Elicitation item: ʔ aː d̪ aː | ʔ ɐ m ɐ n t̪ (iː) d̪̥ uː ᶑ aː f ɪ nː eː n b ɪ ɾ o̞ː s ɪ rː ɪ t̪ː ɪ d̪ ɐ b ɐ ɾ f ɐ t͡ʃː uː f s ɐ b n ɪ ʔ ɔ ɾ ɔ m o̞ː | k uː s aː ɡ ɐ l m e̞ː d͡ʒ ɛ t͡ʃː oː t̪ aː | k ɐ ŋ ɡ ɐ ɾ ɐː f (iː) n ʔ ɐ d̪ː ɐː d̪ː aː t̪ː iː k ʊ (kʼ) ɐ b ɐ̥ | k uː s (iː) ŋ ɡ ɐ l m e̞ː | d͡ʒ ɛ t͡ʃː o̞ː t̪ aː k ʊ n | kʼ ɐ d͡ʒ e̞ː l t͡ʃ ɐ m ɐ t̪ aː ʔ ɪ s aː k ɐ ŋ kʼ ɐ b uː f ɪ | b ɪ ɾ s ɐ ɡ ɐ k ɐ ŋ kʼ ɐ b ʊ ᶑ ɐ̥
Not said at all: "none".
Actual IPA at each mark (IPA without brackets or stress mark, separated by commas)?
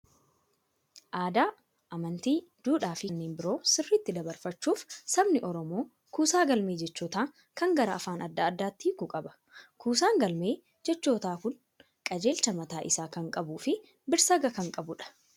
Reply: iː, aː, kʼ, aː